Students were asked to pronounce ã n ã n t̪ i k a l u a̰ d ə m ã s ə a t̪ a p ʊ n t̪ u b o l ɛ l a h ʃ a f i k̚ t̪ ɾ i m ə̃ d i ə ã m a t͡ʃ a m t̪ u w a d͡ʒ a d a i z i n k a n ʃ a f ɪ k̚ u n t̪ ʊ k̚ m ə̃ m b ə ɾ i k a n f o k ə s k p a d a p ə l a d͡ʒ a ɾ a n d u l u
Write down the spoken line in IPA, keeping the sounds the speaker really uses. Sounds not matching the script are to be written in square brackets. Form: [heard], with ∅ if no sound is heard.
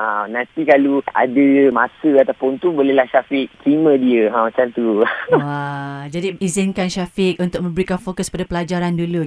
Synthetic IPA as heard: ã n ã n t̪ i k a l u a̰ d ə m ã s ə a t̪ a p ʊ n t̪ u b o l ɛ l a h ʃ a f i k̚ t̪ ɾ i m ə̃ d i ə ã m a t͡ʃ a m t̪ u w a d͡ʒ a d [i] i z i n k a n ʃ a f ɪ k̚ u n t̪ ʊ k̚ m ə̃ m b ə ɾ i k a n f o k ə s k p a d a p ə l a d͡ʒ a ɾ a n d u l u